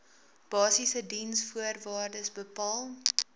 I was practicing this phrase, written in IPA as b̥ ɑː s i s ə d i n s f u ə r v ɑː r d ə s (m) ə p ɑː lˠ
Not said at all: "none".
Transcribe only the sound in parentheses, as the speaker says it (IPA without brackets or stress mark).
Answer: b